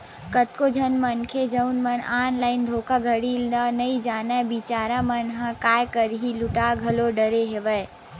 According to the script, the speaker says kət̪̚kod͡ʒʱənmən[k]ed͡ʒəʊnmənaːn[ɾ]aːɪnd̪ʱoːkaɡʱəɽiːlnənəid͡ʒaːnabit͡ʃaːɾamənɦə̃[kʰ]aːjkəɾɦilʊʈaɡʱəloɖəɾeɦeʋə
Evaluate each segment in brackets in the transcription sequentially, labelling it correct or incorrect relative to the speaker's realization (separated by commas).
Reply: incorrect, incorrect, incorrect